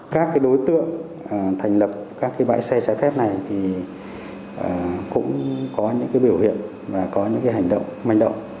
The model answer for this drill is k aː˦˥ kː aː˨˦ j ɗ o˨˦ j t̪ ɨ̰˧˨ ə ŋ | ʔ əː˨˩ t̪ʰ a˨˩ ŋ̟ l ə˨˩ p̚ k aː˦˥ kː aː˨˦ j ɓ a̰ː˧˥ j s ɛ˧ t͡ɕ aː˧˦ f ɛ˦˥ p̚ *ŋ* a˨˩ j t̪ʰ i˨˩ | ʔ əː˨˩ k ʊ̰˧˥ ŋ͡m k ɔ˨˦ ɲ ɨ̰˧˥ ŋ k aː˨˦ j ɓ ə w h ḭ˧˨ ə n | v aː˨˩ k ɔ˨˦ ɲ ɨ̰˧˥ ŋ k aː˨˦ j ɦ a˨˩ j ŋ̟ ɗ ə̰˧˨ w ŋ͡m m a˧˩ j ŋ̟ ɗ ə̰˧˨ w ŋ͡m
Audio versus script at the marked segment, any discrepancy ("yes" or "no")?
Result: yes